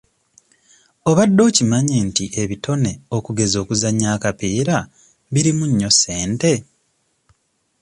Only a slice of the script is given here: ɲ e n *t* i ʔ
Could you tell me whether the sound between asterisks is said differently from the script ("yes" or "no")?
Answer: no